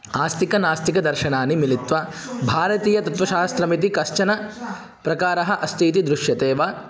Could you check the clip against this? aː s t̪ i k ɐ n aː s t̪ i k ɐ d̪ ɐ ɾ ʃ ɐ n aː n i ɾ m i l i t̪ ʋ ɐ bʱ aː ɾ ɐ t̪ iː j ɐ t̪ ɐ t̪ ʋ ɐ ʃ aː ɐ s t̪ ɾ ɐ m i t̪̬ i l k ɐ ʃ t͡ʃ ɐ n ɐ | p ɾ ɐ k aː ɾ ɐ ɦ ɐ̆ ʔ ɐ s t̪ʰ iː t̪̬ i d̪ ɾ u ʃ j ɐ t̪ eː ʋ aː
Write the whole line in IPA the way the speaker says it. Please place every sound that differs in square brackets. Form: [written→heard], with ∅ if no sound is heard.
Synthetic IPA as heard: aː s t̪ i k ɐ n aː s t̪ i k ɐ d̪ ɐ ɾ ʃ ɐ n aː n i [ɾ→∅] m i l i t̪ ʋ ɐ bʱ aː ɾ ɐ t̪ iː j ɐ t̪ ɐ t̪ ʋ ɐ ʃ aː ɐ s t̪ ɾ ɐ m i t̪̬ i [l→∅] k ɐ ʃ t͡ʃ ɐ n ɐ | p ɾ ɐ k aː ɾ ɐ ɦ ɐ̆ ʔ ɐ s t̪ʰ iː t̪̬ i d̪ ɾ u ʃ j ɐ t̪ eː ʋ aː